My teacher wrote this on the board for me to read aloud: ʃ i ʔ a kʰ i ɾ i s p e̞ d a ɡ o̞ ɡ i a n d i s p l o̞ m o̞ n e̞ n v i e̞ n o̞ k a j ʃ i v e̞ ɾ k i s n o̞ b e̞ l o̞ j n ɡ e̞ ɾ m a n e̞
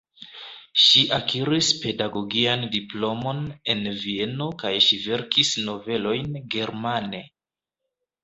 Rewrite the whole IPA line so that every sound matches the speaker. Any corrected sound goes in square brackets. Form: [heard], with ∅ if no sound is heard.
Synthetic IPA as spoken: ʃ i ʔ a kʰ i ɾ i s p e̞ d a ɡ o̞ ɡ i a n d i [∅] p l o̞ m o̞ n e̞ n v i e̞ n o̞ k a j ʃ i v e̞ ɾ k i s n o̞ [v] e̞ l o̞ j n ɡ e̞ ɾ m a n e̞